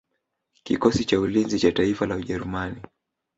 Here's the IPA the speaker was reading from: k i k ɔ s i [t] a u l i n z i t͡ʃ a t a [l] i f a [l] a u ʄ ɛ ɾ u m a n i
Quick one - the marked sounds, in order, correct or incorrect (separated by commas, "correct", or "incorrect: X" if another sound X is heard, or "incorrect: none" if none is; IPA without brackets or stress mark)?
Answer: incorrect: t͡ʃ, incorrect: none, correct